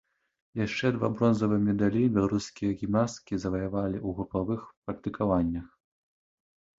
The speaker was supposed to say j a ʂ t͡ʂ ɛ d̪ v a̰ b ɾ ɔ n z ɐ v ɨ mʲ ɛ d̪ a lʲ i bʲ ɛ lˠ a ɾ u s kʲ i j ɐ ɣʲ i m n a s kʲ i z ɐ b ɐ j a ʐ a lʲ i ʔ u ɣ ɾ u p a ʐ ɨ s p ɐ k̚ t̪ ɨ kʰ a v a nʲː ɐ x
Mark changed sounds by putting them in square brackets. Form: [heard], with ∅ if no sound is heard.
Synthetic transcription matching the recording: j a ʂ t͡ʂ ɛ d̪ v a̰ b ɾ ɔ n z ɐ v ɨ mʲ ɛ d̪ a lʲ i bʲ ɛ lˠ a ɾ u s kʲ i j ɐ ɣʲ i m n a s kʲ i z ɐ [v] ɐ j a [v] a lʲ i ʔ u ɣ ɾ u p a [v] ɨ [x] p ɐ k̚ t̪ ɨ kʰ a v a nʲː ɐ x